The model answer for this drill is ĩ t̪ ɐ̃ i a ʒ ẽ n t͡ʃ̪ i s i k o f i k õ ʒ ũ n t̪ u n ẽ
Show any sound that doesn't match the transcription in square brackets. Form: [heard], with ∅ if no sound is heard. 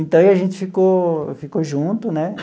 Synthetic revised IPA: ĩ t̪ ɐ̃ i a ʒ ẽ n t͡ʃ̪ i [f] i k o f i k [o] ʒ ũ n t̪ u n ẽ

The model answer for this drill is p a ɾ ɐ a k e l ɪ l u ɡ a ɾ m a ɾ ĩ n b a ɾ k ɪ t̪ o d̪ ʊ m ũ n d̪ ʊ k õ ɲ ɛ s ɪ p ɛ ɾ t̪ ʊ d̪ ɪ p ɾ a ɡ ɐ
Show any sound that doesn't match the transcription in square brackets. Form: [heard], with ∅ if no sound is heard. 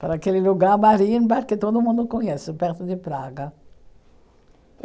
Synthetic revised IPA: p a ɾ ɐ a k e l ɪ l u ɡ a ɾ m a ɾ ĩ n b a ɾ k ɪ t̪ o d̪ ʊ m ũ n d̪ ʊ k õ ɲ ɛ s ɪ p ɛ ɾ t̪ ʊ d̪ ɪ p ɾ a ɡ ɐ

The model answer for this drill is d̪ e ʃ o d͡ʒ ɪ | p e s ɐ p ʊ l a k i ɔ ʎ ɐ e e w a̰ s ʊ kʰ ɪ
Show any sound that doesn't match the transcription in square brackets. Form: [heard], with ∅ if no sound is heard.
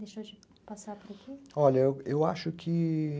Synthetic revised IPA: d̪ e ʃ o d͡ʒ ɪ | p [a] s [a] p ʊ [ɾ] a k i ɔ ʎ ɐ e e w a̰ [ʃ] ʊ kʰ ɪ

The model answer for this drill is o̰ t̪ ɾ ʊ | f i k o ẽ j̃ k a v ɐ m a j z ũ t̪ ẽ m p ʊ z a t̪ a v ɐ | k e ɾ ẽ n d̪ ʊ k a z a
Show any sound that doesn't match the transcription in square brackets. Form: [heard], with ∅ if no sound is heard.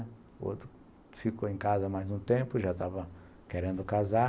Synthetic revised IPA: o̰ t̪ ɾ ʊ | f i k o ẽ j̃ k a [z] ɐ m a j z ũ t̪ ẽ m p ʊ [ʒ] a t̪ a v ɐ | k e ɾ ẽ n d̪ ʊ k a z a

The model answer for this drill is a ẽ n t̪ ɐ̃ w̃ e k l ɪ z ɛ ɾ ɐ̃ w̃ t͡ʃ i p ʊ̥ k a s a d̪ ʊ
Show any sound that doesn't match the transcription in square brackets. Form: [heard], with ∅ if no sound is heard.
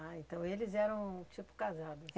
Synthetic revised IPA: a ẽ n t̪ ɐ̃ w̃ e [∅] l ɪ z ɛ ɾ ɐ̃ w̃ t͡ʃ i p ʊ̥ k a [z] a d̪ ʊ

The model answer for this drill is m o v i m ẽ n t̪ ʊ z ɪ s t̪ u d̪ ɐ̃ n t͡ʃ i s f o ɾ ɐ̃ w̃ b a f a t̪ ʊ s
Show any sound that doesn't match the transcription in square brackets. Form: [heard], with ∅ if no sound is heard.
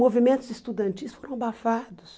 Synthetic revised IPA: m o v i m ẽ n t̪ ʊ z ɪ s t̪ u d̪ ɐ̃ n t͡ʃ i s f o ɾ ɐ̃ w̃ b a f a [d̪] ʊ s

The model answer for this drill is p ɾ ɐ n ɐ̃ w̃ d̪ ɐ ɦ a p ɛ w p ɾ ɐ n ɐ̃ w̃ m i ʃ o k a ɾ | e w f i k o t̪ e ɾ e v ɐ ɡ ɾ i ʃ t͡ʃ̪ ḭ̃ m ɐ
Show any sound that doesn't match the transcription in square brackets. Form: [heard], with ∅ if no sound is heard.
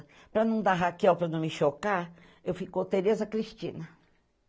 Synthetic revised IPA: p ɾ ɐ n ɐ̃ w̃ d̪ [a] ɦ a [k] ɛ w p ɾ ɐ n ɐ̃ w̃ m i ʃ o k a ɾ | e w f i k o t̪ e ɾ e [z] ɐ [k] ɾ i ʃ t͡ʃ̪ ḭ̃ [n] ɐ

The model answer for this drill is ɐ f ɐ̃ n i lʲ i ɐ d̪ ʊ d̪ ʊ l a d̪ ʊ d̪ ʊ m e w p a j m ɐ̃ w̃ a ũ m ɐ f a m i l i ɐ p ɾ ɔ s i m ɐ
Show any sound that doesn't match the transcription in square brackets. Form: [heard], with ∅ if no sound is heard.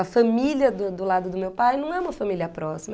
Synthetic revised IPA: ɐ f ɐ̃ [m] i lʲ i ɐ d̪ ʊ d̪ ʊ l a d̪ ʊ d̪ ʊ m e w p a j [n] ɐ̃ w̃ [ɛ] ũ m ɐ f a m i l i ɐ p ɾ ɔ s i m ɐ

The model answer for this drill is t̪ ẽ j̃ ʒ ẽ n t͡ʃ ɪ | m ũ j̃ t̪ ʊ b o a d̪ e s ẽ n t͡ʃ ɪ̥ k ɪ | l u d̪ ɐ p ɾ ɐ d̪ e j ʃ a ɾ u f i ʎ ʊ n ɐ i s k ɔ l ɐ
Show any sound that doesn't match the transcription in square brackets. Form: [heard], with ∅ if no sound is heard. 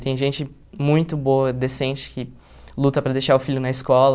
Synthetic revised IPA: t̪ ẽ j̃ ʒ ẽ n t͡ʃ ɪ | m ũ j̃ t̪ ʊ b o [ɐ] d̪ e s ẽ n t͡ʃ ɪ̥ k ɪ | l u [t̪] ɐ p ɾ ɐ d̪ e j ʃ a ɾ [ʊ] f i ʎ ʊ n ɐ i s k ɔ l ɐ

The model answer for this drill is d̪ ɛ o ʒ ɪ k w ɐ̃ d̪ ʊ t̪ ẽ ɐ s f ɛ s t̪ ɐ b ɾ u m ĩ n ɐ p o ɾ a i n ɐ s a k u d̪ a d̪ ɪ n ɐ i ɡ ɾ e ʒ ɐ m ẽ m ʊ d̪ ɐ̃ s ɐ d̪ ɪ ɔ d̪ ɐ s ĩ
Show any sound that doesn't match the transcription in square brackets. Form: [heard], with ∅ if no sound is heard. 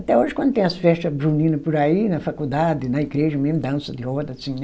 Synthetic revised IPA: [t̪] ɛ o ʒ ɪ k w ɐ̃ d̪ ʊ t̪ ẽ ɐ s f ɛ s t̪ ɐ b ɾ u [n] ĩ n ɐ p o ɾ a i n ɐ [f] a k u d̪ a d̪ ɪ n ɐ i ɡ ɾ e ʒ ɐ m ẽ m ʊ d̪ ɐ̃ s ɐ d̪ ɪ ɔ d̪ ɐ s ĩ

